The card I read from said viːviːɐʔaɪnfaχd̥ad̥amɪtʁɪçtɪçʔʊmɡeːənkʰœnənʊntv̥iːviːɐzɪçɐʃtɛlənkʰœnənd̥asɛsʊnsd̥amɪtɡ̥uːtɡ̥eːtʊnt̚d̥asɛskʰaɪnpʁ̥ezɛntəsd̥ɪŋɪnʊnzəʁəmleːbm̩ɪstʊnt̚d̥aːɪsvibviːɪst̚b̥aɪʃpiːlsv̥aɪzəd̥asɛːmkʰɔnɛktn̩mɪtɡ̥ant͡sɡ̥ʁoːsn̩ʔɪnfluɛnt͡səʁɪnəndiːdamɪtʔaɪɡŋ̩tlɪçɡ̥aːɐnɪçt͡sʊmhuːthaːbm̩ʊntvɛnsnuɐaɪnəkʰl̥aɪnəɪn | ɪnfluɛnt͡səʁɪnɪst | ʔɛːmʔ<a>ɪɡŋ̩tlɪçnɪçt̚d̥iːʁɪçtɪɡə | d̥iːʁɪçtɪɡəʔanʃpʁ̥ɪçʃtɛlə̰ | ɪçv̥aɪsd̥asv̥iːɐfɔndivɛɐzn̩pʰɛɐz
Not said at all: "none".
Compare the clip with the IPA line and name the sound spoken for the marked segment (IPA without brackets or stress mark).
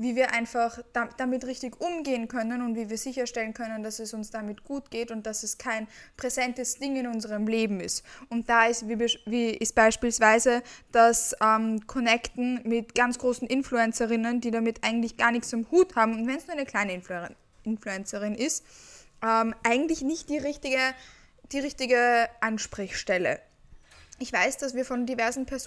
a